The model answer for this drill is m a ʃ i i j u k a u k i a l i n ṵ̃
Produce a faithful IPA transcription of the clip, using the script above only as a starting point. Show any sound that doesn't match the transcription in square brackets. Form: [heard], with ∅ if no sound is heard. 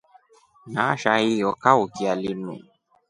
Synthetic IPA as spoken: [n] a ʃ [a] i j [ɔ] k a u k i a l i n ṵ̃